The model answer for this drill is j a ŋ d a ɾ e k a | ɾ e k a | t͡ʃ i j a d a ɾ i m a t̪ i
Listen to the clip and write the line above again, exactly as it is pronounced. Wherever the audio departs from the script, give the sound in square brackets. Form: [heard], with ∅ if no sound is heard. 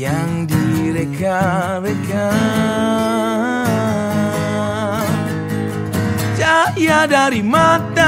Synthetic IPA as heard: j a ŋ d [i] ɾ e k a | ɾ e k a | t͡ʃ [a] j a d a ɾ i m a t̪ [a]